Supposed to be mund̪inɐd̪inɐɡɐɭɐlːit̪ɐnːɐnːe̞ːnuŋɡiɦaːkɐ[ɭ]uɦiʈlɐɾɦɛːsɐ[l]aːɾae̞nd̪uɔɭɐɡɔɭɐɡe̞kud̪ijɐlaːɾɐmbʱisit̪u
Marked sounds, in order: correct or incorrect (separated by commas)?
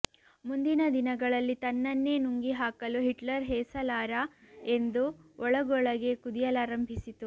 incorrect, correct